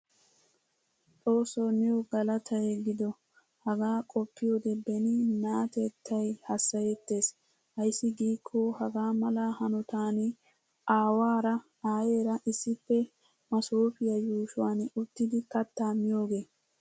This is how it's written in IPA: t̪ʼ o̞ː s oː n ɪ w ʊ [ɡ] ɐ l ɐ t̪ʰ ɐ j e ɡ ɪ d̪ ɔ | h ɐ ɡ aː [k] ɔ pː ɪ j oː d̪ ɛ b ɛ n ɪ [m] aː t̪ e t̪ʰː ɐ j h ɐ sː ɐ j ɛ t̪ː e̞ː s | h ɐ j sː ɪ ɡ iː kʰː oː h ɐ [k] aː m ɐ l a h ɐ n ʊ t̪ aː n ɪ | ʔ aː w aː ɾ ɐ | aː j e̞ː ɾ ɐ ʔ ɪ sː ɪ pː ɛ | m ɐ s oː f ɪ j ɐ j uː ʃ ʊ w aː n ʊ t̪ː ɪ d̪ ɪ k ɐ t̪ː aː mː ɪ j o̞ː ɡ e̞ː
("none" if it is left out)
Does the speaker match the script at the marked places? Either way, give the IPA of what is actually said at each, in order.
ɡ, kʼ, n, ɡ

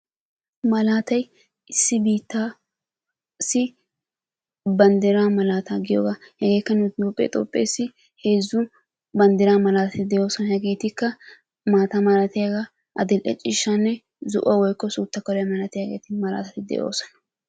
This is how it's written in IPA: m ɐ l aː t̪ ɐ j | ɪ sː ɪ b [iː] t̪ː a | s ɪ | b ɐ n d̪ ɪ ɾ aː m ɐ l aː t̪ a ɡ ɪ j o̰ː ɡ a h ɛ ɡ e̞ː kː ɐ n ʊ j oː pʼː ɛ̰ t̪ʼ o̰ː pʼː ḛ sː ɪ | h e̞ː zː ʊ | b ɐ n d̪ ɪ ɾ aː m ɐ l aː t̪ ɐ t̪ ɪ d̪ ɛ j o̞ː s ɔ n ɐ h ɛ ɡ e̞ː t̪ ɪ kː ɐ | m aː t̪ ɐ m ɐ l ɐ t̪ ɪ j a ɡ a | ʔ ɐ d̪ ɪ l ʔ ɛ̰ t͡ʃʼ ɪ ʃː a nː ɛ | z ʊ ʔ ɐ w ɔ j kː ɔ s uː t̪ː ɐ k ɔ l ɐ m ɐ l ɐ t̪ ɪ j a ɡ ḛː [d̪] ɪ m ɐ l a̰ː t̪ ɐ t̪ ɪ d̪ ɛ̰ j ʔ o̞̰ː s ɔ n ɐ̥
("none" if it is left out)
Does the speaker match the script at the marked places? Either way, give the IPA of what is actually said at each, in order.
iː, t̪

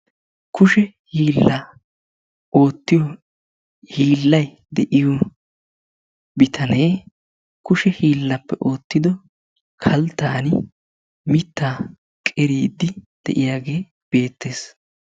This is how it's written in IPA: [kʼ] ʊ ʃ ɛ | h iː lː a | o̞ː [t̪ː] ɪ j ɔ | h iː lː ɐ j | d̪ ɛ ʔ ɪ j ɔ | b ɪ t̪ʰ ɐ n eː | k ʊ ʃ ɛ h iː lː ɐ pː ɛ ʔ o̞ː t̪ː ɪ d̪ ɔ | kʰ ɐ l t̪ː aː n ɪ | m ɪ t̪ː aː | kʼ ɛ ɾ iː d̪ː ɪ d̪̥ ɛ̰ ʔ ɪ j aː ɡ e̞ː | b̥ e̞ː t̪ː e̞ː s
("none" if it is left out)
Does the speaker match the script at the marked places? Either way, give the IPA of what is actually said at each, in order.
k, t̪ː

